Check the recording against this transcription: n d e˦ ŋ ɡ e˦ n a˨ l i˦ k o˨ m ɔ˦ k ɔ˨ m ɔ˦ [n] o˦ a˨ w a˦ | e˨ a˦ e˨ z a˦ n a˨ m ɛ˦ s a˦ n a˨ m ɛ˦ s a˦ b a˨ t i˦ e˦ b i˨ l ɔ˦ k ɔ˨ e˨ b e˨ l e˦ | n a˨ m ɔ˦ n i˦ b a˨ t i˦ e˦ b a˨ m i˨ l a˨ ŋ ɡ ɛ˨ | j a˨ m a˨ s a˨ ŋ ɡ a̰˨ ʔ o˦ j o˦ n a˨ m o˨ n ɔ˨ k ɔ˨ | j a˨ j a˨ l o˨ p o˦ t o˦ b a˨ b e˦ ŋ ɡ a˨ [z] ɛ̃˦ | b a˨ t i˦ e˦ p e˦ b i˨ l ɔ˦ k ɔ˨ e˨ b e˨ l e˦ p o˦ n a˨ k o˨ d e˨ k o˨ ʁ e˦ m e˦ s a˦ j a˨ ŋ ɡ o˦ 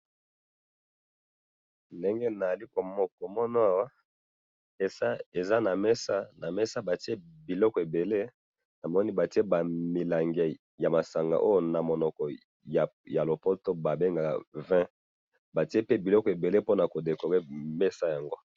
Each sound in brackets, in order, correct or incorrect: correct, incorrect

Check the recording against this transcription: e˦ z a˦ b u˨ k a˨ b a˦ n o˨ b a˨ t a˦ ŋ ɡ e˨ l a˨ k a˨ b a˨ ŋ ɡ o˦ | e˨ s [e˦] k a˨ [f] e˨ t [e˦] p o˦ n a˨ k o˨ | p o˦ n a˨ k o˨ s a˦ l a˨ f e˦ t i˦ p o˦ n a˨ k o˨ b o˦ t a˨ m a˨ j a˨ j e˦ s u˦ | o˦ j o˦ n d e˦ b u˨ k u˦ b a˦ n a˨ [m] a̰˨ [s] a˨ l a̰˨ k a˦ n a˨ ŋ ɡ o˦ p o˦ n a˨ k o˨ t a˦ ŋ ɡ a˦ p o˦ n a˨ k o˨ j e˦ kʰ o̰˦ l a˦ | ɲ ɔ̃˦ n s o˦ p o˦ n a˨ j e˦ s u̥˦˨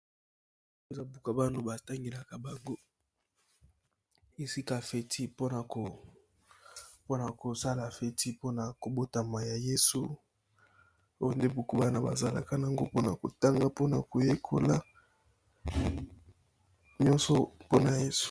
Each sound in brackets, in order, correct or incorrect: incorrect, correct, incorrect, incorrect, incorrect

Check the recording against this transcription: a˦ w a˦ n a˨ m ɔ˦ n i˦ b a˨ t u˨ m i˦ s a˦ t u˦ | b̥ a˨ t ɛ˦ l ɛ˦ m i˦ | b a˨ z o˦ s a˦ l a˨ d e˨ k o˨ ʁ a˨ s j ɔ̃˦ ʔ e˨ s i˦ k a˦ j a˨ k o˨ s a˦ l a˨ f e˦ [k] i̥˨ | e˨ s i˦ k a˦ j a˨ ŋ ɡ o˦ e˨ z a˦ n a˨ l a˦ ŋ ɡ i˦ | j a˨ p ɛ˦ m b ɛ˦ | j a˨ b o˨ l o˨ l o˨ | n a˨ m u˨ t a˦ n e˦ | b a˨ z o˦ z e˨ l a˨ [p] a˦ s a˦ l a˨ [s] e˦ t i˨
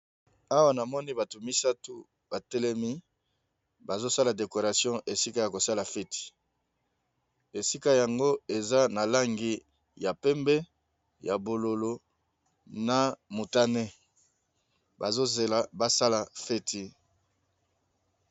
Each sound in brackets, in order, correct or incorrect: incorrect, incorrect, incorrect

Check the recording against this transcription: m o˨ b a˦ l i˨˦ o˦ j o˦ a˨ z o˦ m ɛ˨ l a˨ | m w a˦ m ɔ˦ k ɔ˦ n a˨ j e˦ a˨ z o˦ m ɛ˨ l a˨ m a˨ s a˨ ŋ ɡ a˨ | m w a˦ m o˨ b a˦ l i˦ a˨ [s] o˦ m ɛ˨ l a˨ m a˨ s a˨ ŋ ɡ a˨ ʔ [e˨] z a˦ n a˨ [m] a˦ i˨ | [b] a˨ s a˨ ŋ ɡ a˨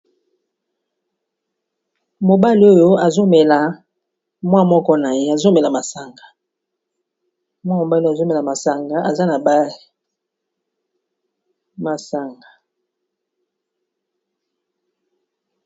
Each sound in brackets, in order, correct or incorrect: incorrect, incorrect, incorrect, incorrect

